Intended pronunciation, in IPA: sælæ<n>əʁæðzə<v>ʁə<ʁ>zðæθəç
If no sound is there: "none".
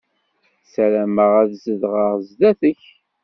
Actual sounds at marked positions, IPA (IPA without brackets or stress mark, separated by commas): m, ð, ʁ